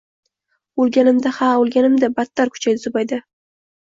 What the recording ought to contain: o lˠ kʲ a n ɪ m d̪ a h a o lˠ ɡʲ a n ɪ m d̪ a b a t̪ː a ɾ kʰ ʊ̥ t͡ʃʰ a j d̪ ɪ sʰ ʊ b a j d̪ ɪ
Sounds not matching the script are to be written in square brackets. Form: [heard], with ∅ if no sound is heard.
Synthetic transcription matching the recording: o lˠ [ɡʲ] a n ɪ m d̪ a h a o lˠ ɡʲ a n ɪ m d̪ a b a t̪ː a ɾ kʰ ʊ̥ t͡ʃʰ a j d̪ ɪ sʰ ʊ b a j d̪ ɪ